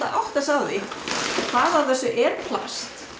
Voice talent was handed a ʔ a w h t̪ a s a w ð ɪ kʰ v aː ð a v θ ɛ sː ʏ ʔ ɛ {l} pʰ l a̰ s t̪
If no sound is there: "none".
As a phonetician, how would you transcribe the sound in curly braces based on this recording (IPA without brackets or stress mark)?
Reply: ɾ